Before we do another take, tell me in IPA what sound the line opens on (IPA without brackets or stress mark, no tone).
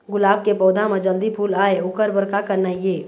ɡ